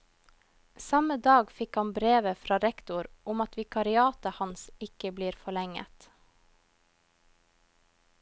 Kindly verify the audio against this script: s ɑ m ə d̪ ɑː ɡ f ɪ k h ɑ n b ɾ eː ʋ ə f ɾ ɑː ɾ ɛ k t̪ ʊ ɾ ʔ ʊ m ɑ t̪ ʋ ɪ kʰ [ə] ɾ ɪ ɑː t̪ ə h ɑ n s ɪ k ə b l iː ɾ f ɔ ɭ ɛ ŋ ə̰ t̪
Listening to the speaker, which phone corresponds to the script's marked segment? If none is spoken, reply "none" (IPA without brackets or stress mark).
ɑ